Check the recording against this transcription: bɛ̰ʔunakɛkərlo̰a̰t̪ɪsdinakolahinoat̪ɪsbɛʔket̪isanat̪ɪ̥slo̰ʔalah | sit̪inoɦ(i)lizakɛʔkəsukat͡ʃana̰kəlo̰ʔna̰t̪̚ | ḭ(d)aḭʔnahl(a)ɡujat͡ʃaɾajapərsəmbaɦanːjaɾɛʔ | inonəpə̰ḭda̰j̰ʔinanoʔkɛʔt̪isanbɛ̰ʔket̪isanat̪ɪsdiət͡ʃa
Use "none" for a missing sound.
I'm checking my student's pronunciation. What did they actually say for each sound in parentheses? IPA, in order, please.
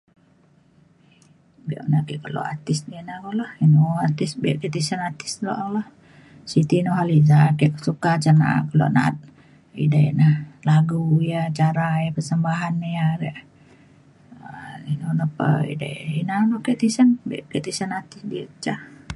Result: a, d, a

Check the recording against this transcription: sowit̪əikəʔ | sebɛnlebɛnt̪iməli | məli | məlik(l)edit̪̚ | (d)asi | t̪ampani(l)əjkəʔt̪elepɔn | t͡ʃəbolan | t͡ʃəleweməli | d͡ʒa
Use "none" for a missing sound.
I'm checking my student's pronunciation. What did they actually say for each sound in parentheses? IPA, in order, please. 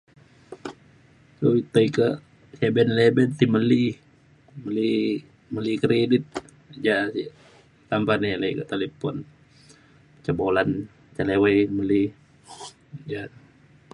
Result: ɾ, d͡ʒ, l

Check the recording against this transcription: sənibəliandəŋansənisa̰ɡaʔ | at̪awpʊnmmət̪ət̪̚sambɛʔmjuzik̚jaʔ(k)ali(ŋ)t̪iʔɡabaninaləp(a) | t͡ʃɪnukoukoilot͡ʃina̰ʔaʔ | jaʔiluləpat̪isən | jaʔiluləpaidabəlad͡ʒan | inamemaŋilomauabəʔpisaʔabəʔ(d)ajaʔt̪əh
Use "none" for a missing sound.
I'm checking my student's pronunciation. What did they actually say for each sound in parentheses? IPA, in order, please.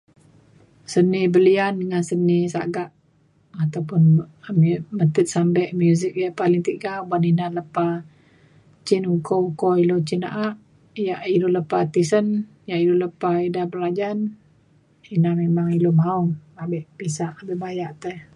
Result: p, ŋ, a, b

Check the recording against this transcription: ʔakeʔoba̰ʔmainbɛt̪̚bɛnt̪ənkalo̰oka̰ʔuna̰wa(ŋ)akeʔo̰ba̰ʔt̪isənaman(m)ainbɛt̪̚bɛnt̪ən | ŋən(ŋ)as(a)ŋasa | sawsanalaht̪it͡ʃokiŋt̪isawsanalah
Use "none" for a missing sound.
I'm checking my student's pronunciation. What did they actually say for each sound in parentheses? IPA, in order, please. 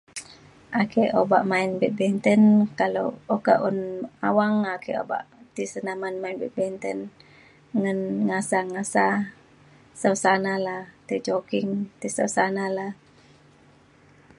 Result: ŋ, m, ŋ, a

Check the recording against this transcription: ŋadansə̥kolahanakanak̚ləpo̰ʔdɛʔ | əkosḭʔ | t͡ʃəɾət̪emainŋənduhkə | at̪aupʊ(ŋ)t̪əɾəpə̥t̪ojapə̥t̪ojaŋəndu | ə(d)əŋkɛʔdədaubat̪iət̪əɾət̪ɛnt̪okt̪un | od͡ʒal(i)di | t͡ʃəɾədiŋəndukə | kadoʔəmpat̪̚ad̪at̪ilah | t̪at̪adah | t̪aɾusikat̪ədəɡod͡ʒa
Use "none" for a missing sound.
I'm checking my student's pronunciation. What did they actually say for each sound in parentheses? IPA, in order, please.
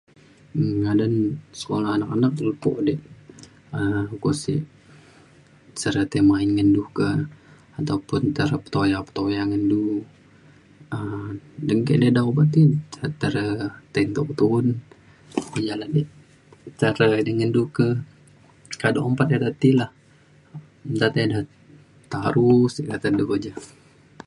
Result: n, d, a

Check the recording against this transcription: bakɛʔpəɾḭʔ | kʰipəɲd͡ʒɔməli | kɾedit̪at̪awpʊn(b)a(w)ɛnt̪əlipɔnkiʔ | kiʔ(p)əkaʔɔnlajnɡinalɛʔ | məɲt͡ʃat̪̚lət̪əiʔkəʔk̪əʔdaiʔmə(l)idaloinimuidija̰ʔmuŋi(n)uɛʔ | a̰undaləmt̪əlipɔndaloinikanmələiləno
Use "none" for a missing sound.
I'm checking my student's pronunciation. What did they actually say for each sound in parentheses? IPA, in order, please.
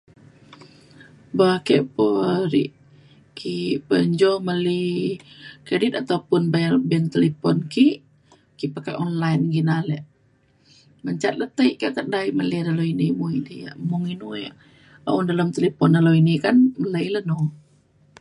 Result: b, b, p, l, n

